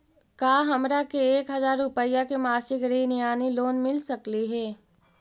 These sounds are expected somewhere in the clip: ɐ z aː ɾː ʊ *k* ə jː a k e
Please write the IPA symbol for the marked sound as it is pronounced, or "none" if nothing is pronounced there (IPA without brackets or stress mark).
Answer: p